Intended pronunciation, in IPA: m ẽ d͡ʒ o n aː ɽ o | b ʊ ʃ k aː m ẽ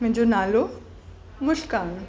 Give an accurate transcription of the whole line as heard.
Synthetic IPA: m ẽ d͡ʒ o n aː l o | m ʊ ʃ k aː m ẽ